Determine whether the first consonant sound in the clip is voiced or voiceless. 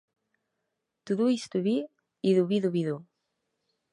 voiceless